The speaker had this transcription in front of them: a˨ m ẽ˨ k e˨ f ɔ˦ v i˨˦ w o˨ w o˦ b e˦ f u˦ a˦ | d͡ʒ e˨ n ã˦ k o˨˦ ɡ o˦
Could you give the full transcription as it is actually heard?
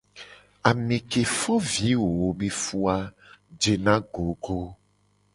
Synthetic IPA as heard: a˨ m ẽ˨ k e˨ f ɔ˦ v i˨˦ w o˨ w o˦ b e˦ f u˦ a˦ | d͡ʒ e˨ n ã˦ ɡ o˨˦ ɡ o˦